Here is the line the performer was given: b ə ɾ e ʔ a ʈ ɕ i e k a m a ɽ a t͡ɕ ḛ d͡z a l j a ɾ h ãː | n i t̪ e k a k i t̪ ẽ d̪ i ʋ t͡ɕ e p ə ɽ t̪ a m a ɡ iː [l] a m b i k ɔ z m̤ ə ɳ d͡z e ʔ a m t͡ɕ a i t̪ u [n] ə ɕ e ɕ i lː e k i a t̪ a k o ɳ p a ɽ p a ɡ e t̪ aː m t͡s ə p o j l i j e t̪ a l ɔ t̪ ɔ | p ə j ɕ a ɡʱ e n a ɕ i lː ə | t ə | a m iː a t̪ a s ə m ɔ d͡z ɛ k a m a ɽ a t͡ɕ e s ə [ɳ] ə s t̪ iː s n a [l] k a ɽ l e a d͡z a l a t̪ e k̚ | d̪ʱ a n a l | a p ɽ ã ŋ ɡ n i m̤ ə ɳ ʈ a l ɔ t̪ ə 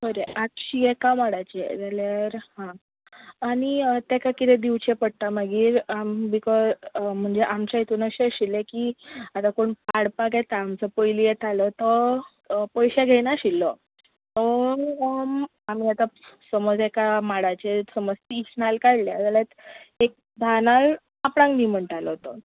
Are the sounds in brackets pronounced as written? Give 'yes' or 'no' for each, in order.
no, yes, no, yes

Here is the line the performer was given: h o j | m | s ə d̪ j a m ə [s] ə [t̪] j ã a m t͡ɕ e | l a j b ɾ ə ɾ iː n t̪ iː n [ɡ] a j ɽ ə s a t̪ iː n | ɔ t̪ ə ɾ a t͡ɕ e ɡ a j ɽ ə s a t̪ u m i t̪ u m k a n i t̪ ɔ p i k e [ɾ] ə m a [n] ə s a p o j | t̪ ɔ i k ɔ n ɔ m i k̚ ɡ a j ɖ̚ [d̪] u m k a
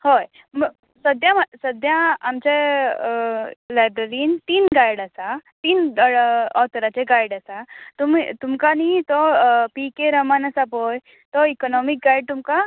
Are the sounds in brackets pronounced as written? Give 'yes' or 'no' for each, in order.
yes, no, yes, yes, yes, no

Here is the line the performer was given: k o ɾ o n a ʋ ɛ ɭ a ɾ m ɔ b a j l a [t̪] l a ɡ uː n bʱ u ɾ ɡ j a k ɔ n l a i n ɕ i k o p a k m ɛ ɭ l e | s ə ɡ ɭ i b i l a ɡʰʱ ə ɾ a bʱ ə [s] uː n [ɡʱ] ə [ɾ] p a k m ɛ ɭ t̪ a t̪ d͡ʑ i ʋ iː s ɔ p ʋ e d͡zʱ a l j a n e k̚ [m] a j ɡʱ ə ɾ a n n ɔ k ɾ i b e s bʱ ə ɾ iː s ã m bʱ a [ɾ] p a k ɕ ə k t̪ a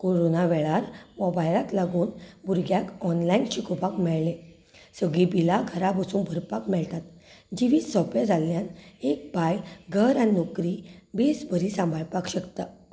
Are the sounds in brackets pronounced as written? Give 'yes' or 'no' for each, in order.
yes, yes, no, yes, no, no

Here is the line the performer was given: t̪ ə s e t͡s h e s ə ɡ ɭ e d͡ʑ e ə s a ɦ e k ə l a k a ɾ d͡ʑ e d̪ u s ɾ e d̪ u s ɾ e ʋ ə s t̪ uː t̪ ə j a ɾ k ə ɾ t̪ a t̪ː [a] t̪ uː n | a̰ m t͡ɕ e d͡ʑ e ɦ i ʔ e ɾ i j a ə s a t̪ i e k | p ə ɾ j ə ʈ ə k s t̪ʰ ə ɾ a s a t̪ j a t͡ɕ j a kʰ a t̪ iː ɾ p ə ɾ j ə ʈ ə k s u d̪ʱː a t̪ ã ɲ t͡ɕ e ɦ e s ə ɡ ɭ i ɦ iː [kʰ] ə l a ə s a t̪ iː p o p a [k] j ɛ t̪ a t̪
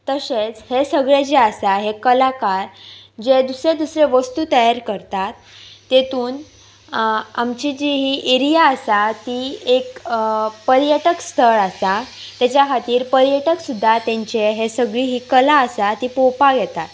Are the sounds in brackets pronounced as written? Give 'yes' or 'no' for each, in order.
no, no, no

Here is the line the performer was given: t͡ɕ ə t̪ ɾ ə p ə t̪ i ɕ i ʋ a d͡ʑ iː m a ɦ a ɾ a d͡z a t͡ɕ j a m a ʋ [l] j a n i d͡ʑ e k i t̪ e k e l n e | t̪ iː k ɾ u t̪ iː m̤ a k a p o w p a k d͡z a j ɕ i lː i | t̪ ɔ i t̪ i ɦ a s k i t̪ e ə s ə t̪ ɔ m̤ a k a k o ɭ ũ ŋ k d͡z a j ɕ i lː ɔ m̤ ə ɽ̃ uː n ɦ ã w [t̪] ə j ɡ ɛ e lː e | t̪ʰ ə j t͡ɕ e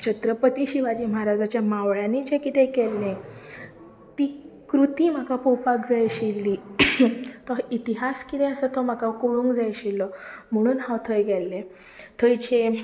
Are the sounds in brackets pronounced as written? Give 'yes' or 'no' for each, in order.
no, no

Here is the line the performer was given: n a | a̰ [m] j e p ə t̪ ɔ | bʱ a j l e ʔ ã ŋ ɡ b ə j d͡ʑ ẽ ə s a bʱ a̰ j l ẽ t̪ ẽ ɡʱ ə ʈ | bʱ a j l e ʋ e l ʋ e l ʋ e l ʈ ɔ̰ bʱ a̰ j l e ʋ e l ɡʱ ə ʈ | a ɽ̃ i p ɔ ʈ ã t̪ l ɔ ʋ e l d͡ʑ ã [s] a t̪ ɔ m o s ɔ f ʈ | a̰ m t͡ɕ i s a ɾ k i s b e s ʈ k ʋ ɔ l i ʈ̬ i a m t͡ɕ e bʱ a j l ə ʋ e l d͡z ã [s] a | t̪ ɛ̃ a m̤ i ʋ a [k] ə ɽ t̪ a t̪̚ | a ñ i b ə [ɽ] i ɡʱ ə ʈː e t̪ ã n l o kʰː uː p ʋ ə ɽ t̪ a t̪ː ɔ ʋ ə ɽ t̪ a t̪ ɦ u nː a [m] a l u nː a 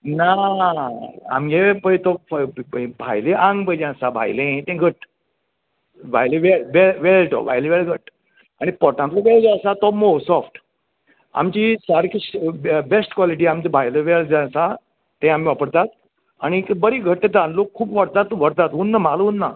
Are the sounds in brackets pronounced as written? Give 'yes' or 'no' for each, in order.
yes, yes, yes, no, no, yes

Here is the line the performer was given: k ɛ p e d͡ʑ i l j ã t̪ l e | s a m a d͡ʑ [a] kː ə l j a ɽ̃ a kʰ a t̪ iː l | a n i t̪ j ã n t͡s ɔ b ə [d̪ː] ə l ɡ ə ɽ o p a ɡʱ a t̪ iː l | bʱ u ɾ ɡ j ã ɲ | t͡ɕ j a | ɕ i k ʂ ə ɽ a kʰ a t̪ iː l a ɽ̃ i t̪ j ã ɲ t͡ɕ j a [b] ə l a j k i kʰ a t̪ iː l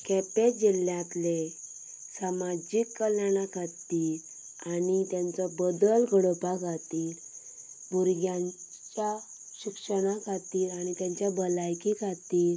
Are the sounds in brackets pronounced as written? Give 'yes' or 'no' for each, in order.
no, no, yes

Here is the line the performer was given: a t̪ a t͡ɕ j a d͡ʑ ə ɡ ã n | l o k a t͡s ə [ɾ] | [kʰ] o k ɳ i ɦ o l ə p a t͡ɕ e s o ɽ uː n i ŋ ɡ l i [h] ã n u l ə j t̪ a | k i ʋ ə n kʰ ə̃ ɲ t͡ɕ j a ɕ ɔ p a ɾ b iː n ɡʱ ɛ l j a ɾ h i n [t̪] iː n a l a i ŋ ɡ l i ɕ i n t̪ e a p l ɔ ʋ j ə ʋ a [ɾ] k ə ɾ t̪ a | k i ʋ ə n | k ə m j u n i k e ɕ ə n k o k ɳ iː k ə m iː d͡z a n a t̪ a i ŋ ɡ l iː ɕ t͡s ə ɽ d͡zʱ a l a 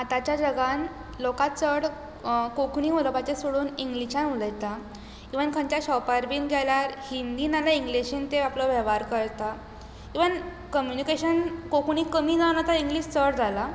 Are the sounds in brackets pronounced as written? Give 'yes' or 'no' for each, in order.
no, no, no, no, yes

